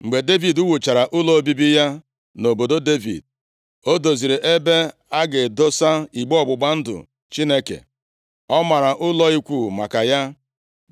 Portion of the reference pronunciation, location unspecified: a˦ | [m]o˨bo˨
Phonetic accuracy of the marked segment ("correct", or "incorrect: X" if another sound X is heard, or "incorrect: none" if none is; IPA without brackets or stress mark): incorrect: n